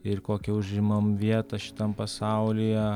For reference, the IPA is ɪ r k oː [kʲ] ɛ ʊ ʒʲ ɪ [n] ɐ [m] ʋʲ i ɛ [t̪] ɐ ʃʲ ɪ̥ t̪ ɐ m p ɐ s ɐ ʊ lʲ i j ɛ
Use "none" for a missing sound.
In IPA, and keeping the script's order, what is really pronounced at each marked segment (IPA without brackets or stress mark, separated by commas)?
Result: kʲ, m, m, t̪